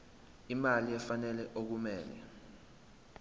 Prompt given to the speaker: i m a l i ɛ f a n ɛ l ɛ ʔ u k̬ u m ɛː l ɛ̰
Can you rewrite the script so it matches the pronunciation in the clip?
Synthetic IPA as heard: i m a l i ɛ f a n ɛ l ɛ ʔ o k̬ u m ɛː l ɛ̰